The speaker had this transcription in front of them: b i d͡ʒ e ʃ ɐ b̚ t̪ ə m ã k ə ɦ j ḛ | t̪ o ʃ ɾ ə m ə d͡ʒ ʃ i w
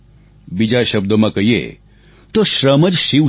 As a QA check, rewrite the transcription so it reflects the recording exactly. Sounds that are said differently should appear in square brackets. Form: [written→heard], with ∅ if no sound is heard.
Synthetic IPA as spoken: b i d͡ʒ [e→a] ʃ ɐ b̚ [t̪→d̪] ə m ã k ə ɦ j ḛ | t̪ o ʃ ɾ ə m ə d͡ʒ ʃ i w